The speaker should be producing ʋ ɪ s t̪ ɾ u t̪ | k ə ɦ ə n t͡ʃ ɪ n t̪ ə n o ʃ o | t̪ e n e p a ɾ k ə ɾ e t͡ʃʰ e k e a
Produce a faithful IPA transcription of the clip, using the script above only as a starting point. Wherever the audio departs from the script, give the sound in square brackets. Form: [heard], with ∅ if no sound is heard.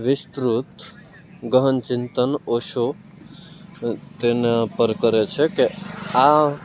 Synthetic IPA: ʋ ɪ s t̪ ɾ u t̪ | [ɡ] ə ɦ ə n t͡ʃ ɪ n t̪ ə n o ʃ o | t̪ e n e p [ə] ɾ k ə ɾ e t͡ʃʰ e k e a